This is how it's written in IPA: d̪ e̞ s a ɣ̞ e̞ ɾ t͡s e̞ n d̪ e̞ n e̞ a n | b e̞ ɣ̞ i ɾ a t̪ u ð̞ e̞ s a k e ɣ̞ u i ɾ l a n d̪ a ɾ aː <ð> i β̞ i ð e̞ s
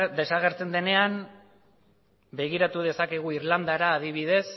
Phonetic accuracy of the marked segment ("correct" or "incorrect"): correct